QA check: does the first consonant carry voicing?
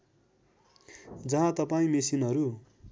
yes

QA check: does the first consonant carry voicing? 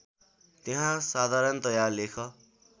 no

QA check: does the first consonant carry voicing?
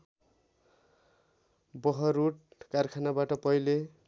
yes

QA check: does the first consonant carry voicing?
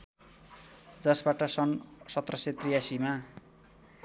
yes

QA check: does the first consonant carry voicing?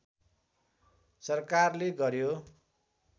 no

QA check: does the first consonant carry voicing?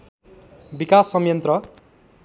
yes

